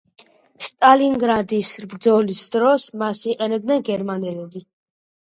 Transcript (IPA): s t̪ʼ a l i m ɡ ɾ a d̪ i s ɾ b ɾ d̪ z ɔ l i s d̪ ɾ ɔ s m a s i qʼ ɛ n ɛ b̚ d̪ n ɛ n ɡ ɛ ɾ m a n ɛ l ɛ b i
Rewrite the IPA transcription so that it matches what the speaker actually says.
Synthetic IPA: s t̪ʼ a l i ŋ ɡ ɾ a d̪ i s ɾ b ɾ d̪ z ɔ l i s d̪ ɾ ɔ s m a s i qʼ ɛ n ɛ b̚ d̪ n ɛ n ɡ ɛ ɾ m a n ɛ l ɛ b i